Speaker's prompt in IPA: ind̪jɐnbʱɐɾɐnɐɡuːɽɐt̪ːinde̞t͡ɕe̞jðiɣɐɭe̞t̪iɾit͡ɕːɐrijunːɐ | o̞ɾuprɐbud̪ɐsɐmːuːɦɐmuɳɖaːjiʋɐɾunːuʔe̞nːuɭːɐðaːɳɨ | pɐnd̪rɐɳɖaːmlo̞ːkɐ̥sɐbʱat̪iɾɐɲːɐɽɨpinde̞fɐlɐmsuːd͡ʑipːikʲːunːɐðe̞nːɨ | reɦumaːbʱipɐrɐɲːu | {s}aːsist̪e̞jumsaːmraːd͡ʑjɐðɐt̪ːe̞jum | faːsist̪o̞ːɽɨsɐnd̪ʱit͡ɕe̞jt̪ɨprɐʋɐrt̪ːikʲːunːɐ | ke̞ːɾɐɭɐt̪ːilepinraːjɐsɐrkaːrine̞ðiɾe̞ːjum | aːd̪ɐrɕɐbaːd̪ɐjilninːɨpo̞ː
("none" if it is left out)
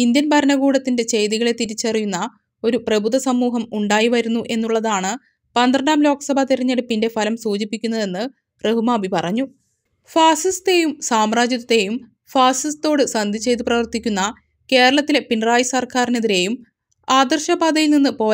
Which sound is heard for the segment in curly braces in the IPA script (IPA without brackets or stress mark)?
f